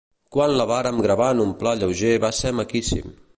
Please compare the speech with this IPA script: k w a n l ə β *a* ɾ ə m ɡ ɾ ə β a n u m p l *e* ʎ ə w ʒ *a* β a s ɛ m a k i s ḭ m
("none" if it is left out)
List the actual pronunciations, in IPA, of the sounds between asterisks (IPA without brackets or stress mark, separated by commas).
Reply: a, a, e